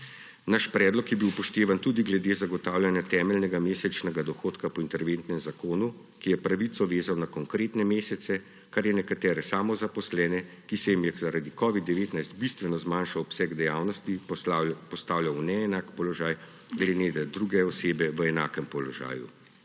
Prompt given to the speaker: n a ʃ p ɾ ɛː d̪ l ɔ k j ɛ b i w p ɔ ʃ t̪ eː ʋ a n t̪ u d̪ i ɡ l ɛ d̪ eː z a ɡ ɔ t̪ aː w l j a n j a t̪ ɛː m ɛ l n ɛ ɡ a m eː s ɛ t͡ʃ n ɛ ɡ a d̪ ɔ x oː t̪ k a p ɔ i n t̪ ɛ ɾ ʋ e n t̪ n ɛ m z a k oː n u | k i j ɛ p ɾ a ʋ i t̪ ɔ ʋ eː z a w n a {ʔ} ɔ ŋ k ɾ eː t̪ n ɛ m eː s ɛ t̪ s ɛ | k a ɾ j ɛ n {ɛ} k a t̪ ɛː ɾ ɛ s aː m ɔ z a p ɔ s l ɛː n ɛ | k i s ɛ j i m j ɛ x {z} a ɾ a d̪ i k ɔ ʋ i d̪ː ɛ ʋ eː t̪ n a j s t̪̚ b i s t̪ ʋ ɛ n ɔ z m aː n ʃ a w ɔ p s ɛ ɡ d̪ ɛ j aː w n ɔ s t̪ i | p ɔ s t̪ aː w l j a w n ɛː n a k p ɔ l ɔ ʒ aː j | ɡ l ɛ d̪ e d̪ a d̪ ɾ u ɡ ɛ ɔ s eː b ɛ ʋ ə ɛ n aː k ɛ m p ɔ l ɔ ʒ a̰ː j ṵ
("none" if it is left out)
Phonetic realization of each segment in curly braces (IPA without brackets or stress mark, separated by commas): k, ɛ, z